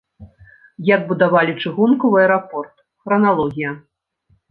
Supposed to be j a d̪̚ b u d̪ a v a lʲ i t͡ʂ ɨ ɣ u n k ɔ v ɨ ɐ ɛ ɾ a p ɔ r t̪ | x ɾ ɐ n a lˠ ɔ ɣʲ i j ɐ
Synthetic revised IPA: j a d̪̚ b u d̪ a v a lʲ i t͡ʂ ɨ ɣ u n k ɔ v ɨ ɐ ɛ ɾ a p ɔ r t̪ | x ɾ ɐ n a lˠ ɔ ɣʲ i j ɐ